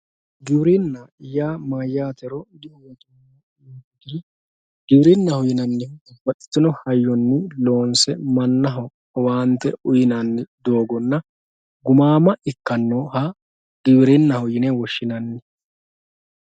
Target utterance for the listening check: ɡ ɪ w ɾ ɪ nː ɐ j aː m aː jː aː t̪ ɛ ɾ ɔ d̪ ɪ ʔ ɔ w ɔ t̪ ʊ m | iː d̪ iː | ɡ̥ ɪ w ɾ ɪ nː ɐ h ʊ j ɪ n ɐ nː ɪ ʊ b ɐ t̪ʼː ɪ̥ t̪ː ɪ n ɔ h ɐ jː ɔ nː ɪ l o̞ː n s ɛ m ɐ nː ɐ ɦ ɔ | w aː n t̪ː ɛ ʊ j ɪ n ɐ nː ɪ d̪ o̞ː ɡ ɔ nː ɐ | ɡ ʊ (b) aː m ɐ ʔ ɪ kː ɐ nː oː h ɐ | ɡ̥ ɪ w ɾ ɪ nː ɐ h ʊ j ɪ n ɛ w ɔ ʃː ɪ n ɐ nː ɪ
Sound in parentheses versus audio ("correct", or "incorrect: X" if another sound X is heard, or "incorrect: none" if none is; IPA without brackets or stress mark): incorrect: m